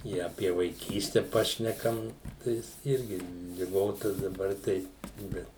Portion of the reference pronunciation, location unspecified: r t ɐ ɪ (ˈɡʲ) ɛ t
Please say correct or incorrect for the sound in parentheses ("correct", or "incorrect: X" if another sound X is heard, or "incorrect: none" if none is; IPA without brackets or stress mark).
incorrect: bʲ